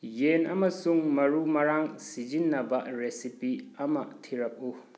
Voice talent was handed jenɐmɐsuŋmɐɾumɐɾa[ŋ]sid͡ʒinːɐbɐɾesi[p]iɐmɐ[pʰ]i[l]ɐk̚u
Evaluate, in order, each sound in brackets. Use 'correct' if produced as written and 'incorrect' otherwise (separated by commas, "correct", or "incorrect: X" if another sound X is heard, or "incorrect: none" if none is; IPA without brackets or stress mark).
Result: correct, correct, incorrect: tʰ, incorrect: ɾ